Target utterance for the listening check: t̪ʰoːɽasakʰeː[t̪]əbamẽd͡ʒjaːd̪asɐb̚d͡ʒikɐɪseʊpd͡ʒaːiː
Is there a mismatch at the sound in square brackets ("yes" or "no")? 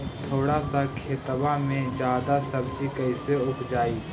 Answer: no